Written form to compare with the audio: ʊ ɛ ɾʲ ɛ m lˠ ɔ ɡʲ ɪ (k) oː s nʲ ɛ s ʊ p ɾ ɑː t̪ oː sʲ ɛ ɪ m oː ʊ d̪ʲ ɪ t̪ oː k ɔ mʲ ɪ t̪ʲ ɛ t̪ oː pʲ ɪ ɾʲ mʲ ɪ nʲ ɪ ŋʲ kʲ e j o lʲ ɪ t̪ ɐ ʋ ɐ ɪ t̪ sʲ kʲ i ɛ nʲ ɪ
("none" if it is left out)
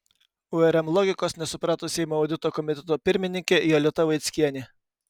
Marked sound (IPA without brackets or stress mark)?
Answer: k